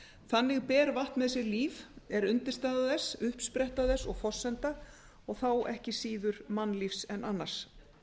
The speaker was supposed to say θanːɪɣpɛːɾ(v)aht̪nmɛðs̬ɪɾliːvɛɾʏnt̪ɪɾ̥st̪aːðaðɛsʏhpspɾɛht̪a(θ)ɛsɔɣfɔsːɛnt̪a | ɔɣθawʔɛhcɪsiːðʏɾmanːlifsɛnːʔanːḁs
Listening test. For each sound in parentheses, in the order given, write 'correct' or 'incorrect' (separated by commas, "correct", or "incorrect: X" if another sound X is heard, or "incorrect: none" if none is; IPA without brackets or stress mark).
correct, incorrect: ð